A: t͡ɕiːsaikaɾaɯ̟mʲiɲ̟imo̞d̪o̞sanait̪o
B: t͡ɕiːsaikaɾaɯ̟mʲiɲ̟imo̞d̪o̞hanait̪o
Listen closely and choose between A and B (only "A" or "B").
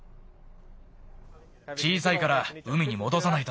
A